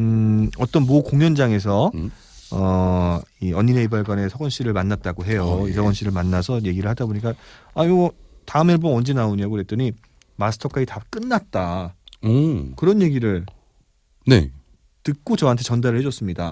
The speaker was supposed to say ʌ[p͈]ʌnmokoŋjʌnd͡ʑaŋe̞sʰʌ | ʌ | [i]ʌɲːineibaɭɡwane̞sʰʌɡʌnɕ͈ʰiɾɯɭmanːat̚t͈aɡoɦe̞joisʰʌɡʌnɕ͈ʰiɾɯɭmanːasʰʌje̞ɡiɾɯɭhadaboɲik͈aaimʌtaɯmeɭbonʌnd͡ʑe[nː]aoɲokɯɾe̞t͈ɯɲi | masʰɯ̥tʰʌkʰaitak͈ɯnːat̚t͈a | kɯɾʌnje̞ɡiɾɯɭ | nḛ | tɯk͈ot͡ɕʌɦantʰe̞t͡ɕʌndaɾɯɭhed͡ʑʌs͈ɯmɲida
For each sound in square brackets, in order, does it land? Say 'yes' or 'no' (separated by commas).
no, yes, no